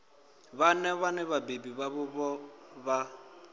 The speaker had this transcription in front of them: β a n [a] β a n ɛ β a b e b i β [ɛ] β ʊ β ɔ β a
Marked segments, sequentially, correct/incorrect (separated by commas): incorrect, incorrect